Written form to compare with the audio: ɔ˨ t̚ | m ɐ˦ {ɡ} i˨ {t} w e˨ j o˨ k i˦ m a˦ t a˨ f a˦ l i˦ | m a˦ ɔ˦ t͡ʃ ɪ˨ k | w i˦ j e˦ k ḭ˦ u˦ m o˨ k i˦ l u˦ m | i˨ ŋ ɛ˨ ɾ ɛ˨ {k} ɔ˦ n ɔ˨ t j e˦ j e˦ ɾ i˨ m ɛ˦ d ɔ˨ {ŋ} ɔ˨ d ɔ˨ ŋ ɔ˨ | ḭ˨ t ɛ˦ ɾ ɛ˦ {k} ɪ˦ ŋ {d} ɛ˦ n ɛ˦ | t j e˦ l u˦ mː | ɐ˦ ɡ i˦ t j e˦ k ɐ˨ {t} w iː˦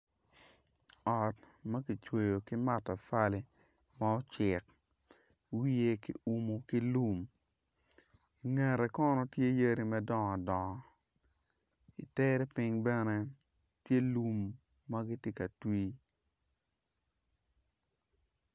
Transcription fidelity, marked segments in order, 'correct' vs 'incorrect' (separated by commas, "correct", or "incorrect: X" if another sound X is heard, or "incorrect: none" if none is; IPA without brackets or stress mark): incorrect: k, incorrect: t͡ʃ, correct, correct, incorrect: p, incorrect: b, correct